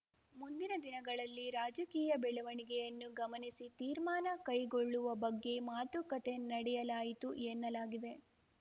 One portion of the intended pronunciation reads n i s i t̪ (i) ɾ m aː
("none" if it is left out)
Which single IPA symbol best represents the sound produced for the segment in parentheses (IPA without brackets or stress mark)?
iː